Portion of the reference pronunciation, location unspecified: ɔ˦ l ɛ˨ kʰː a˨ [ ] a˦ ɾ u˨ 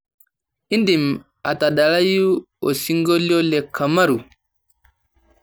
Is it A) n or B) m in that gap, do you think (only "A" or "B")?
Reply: B